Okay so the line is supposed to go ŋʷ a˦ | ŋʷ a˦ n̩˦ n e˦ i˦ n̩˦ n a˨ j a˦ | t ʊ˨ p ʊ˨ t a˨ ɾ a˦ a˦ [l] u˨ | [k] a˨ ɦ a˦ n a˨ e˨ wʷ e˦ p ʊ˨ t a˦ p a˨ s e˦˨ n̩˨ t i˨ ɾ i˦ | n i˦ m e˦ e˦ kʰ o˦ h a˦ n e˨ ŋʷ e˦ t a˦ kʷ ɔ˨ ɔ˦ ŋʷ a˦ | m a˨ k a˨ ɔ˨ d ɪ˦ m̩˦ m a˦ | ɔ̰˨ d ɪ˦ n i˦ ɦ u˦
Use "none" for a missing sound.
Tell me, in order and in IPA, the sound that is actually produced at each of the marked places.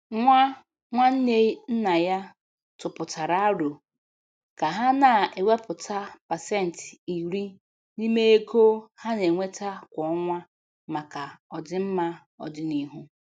ɾ, k

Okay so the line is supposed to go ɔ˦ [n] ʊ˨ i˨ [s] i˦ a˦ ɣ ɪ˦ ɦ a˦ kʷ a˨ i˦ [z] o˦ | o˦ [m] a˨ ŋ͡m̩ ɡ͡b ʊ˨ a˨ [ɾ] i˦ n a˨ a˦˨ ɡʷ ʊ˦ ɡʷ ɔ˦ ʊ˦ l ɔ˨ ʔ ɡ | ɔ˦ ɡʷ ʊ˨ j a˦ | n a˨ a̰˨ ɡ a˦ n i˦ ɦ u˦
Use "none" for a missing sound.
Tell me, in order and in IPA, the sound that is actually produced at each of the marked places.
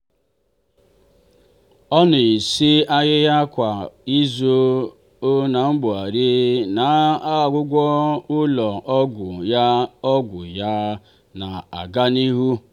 n, s, z, n, ɾ

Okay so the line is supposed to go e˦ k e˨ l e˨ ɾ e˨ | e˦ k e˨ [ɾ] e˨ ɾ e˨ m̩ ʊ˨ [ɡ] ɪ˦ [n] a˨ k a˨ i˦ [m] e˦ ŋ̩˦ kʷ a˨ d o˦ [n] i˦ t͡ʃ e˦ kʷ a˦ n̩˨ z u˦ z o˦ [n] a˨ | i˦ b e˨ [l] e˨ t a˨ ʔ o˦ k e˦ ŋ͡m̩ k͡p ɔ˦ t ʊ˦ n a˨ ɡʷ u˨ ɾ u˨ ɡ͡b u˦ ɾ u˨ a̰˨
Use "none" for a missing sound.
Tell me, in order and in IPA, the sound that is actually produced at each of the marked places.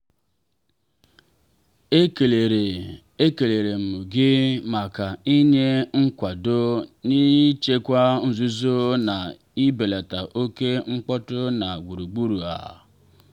l, ɡ, m, ɲ, n, n, l

